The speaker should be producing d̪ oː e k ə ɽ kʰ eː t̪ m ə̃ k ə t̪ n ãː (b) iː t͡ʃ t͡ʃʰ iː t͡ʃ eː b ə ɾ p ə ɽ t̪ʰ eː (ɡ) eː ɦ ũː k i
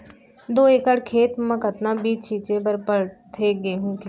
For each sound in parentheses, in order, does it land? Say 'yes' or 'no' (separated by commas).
yes, yes